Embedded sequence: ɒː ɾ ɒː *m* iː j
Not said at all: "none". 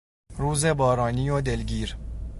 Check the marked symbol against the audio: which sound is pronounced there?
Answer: n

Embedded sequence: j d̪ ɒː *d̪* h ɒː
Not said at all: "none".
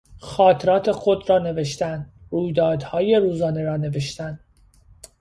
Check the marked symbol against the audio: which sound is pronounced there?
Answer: d̪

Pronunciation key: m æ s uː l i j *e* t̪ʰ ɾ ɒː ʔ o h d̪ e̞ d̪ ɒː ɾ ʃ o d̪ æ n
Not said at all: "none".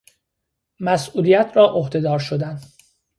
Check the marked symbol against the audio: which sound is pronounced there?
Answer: æ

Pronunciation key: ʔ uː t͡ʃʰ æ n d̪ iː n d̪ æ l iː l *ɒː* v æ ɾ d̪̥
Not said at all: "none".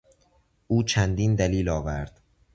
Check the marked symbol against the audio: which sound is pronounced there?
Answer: ɒː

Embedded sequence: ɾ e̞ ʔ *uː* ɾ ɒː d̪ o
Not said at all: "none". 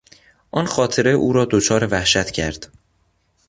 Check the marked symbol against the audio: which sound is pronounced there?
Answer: uː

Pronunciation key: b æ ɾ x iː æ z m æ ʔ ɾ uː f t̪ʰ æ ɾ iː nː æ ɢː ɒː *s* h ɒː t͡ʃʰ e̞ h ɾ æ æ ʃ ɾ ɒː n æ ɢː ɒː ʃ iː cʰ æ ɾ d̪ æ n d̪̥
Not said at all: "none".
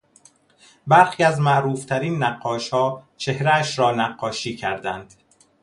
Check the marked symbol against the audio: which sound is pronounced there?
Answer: ʃ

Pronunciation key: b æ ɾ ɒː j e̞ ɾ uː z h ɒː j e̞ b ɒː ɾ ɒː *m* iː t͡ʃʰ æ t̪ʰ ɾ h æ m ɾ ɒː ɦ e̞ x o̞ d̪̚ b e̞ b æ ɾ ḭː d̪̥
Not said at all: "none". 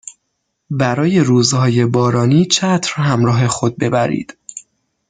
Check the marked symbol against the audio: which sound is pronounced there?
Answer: n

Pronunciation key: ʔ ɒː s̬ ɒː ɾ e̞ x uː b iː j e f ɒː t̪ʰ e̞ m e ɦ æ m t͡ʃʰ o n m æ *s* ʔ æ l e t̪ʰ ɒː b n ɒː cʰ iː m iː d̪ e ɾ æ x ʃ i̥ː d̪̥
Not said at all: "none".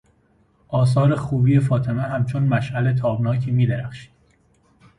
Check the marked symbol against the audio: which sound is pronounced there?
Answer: ʃ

